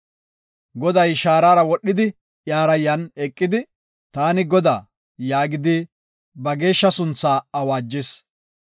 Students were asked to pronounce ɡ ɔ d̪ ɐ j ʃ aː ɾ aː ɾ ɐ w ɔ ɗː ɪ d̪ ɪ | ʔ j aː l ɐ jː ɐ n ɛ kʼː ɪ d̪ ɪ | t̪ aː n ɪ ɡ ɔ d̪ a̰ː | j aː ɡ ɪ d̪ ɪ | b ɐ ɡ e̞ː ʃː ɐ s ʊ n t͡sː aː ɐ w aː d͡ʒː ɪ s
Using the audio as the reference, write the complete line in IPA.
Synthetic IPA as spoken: ɡ ɔ d̪ ɐ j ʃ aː ɾ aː ɾ ɐ w ɔ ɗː ɪ d̪ ɪ | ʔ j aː ɾ ɐ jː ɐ n ɛ kʼː ɪ d̪ ɪ | t̪ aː n ɪ ɡ ɔ d̪ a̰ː | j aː ɡ ɪ d̪ ɪ | b ɐ ɡ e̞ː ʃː ɐ s ʊ n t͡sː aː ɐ w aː d͡ʒː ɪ s